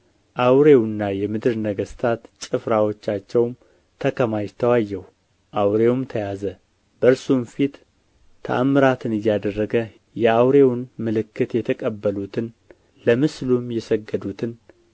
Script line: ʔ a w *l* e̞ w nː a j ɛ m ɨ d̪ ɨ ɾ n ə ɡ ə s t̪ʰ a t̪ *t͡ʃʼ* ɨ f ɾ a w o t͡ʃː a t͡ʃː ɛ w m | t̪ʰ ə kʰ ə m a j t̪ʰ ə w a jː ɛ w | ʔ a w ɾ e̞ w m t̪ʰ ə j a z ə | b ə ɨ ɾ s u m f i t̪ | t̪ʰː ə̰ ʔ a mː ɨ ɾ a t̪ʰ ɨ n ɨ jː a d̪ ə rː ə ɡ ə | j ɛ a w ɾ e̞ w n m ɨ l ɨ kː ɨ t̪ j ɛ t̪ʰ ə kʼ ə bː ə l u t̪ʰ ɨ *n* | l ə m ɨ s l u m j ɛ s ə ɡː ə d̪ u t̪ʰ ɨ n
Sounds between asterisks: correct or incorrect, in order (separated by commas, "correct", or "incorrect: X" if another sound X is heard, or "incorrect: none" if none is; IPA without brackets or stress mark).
incorrect: ɾ, correct, correct